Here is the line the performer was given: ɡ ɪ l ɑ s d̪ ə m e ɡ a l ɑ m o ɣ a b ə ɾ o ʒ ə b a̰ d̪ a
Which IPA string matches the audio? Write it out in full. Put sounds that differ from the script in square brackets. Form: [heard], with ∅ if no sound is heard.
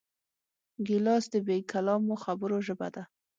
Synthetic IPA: ɡ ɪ l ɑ s d̪ ə [b] e [k] a l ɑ m o [x] a b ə ɾ o ʒ ə b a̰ d̪ a